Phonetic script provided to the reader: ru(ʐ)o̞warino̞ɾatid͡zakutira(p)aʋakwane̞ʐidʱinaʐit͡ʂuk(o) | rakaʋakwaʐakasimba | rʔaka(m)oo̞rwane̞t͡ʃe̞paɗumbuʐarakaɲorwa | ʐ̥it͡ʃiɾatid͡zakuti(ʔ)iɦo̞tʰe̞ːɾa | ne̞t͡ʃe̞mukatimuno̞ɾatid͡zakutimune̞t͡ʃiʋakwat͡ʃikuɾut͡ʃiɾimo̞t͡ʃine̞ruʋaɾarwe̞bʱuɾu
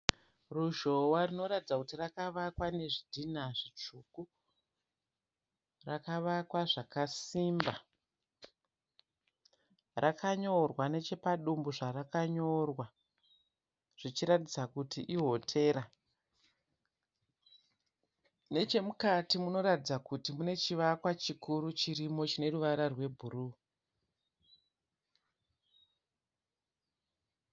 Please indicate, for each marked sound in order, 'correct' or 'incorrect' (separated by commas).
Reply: incorrect, incorrect, incorrect, incorrect, correct